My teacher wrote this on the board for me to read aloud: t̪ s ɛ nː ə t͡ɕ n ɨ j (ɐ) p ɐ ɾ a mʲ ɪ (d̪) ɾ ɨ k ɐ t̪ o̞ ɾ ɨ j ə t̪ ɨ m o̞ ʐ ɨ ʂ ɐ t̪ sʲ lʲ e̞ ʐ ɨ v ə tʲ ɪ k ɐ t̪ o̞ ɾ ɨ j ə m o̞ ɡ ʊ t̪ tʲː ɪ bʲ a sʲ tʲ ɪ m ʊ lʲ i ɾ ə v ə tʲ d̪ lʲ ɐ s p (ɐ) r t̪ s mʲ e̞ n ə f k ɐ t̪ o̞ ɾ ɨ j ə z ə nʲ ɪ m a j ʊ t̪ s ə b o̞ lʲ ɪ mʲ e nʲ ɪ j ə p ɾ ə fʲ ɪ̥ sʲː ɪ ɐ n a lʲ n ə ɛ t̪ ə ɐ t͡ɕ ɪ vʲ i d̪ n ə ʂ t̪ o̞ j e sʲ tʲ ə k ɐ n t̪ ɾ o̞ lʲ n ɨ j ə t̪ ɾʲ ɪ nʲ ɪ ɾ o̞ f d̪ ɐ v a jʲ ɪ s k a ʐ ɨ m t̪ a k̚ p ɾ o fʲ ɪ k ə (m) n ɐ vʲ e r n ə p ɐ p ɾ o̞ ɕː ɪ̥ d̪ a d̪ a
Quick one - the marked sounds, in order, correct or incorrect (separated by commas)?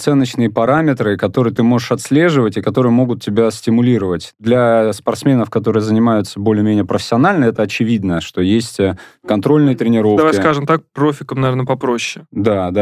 incorrect, incorrect, correct, correct